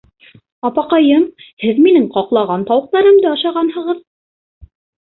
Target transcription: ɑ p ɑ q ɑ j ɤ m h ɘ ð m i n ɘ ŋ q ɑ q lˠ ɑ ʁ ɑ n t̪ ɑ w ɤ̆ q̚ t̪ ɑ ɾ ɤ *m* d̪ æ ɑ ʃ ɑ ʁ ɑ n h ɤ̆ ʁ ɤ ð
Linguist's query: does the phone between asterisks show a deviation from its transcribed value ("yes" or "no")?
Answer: no